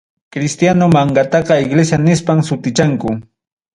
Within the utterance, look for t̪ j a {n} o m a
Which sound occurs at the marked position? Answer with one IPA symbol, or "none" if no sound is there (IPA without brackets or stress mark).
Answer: n